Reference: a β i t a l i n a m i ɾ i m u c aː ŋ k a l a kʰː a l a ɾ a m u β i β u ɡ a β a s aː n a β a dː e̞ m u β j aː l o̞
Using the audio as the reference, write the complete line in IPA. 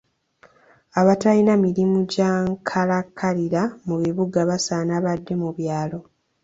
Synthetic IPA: a β a t a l i n a m i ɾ i m u ɟ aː ŋ kʰ a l a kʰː a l i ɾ a m u β i β u ɡ a β a s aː n a β a dː e̞ m u β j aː l o̞